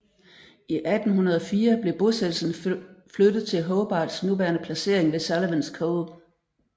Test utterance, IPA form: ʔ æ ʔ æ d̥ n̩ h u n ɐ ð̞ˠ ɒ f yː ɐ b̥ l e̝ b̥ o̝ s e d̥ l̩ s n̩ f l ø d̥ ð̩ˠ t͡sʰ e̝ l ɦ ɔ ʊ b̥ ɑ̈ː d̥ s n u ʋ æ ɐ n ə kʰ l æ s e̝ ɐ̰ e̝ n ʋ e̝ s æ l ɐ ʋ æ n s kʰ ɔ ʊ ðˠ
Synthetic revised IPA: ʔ i ʔ æ d̥ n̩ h u n ɐ ð̞ˠ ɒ f iː ɐ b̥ l e̝ b̥ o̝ s e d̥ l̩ s n̩ f l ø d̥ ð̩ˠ t͡sʰ e̝ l ɦ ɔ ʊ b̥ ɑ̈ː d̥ s n u ʋ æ ɐ n ə pʰ l æ s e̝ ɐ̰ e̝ ŋ ʋ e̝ s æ l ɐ ʋ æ n s kʰ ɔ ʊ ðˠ